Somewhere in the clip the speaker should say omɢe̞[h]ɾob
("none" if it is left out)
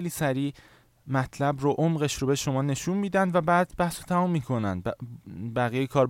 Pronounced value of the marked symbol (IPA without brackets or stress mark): ʃ